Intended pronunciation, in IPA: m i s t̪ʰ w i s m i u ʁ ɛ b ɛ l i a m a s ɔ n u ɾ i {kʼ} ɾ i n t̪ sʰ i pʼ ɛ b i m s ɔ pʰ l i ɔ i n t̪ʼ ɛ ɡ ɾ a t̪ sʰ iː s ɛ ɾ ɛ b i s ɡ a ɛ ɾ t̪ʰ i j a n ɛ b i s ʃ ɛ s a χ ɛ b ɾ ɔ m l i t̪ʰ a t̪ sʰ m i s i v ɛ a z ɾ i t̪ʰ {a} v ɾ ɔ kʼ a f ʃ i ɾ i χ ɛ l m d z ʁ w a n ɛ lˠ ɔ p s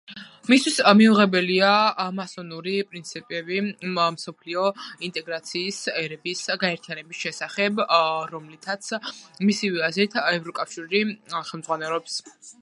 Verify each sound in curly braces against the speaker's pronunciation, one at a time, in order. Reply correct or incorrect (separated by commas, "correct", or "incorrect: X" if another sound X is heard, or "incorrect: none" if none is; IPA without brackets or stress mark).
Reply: incorrect: pʼ, incorrect: ɛ